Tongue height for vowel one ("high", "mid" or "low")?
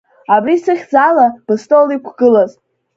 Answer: low